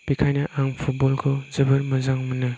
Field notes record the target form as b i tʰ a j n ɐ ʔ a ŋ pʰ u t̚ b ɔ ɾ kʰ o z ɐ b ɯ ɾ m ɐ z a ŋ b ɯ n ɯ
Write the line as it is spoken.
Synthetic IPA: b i kʰ a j n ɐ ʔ a ŋ pʰ u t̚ b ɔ l kʰ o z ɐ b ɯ ɾ m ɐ z a ŋ m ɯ n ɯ